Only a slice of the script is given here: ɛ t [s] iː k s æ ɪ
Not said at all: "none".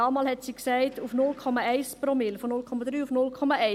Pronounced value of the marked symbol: s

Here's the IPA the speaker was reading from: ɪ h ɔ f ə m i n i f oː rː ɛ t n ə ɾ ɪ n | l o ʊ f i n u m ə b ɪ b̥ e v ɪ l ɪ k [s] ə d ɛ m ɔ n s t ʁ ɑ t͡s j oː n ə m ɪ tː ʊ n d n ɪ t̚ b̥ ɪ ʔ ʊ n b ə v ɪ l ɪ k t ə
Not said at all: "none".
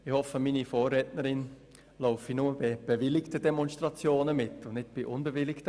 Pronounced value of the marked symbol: t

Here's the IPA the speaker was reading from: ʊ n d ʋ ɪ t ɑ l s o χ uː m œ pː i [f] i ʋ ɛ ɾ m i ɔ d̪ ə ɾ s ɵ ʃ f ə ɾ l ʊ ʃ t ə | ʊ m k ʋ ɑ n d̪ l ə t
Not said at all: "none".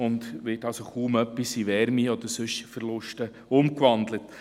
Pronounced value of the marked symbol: s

